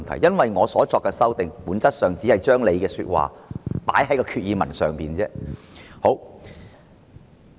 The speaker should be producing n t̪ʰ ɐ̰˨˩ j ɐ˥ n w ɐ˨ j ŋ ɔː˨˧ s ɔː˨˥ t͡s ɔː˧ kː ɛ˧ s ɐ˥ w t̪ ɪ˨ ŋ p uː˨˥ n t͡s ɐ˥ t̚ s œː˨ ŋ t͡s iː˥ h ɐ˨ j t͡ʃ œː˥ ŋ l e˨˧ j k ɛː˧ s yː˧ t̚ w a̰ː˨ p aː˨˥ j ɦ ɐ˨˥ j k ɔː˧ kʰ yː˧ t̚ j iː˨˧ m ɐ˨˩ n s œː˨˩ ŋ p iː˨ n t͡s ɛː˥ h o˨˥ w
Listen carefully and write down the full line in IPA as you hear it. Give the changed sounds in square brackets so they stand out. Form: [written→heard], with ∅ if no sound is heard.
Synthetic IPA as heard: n t̪ʰ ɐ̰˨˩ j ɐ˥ n w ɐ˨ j ŋ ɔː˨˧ s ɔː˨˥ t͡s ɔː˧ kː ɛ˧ s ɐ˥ w t̪ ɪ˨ ŋ p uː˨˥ n t͡s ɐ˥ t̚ s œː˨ ŋ t͡s [iː˥→iː˨˥] h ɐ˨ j t͡ʃ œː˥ ŋ l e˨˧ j k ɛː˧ s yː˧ t̚ w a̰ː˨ p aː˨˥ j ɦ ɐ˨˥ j k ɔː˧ kʰ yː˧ t̚ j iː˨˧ m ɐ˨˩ n s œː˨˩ ŋ p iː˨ n t͡s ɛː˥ h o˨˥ w